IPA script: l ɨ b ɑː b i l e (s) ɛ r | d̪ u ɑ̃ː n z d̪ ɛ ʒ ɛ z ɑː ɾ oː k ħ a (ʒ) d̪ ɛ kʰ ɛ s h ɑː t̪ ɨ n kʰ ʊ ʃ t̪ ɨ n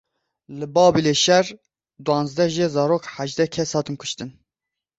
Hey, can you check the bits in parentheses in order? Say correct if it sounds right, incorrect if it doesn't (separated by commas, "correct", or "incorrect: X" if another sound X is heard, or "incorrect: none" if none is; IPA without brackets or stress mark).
incorrect: ʃ, correct